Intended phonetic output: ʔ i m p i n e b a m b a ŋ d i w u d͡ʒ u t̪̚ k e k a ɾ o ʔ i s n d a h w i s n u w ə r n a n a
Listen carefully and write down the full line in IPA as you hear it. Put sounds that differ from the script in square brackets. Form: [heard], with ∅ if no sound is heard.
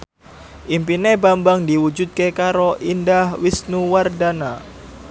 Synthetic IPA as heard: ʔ i m p i n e b a m b a ŋ d i w u d͡ʒ u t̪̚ k e k a ɾ o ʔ i [∅] n d a h w i s n u w [a] r [d] a n a